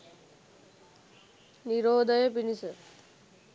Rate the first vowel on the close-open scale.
close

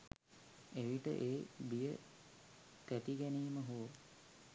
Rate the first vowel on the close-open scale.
mid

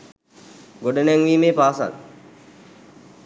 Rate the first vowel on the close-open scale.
mid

